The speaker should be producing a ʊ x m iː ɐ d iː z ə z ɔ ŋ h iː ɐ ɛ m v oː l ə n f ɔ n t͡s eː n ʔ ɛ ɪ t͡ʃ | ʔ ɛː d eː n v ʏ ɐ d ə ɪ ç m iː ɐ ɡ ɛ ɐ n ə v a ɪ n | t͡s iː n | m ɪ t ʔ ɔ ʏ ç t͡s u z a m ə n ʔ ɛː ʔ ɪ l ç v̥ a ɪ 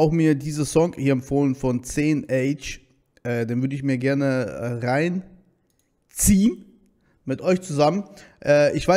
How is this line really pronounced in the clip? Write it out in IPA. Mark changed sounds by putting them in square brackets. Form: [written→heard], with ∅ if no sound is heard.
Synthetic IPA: a ʊ x m iː ɐ d iː z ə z ɔ ŋ h iː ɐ ɛ m [v→f] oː l ə n f ɔ n t͡s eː n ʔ ɛ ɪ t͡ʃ | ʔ ɛː d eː n v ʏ ɐ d ə ɪ ç m iː ɐ ɡ ɛ ɐ n ə [v→ʁ] a ɪ n | t͡s iː n | m ɪ t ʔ ɔ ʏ ç t͡s u z a m ə n ʔ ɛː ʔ ɪ [l→∅] ç v̥ a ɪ